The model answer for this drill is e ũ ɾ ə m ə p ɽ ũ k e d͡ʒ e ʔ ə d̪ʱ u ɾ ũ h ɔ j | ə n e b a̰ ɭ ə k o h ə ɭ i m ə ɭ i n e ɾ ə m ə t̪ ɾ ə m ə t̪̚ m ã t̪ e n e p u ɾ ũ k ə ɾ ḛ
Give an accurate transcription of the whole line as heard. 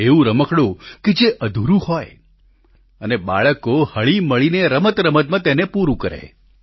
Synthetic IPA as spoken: e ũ ɾ ə m ə k ɽ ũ k e d͡ʒ e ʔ ə d̪ʱ u ɾ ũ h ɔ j | ə n e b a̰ ɭ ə k o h ə ɭ i m ə ɭ i n e ɾ ə m ə t̪ ɾ ə m ə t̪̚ m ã t̪ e n e p u ɾ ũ k ə ɾ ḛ